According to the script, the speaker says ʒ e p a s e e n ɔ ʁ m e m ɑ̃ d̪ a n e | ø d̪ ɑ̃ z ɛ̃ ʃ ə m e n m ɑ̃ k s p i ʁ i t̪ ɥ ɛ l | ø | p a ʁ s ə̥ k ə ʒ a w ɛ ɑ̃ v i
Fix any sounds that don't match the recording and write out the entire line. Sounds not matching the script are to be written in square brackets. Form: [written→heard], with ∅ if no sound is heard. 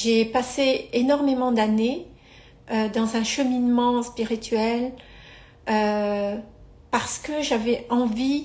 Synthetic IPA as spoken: ʒ e p a s e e n ɔ ʁ m e m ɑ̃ d̪ a n e | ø d̪ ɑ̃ z ɛ̃ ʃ ə m [e→i] n m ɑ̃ [k→∅] s p i ʁ i t̪ ɥ ɛ l | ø | p a ʁ s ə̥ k ə ʒ a [w→v] ɛ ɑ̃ v i